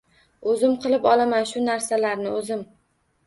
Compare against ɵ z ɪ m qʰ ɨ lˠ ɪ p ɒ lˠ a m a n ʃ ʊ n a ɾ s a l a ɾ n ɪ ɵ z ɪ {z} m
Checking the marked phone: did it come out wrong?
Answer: yes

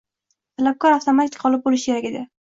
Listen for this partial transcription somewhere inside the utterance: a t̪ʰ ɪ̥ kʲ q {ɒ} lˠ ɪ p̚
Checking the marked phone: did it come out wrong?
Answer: no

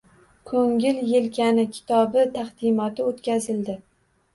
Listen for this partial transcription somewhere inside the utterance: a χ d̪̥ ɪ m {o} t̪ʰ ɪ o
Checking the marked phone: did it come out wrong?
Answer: yes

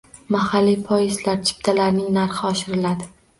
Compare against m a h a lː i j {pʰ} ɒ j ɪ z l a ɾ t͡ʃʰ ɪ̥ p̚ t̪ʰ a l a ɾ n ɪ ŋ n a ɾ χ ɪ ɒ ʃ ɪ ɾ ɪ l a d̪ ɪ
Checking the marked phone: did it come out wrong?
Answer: no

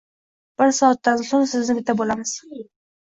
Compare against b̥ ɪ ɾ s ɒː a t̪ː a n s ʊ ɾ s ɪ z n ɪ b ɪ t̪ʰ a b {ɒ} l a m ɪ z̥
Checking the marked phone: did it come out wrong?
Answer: yes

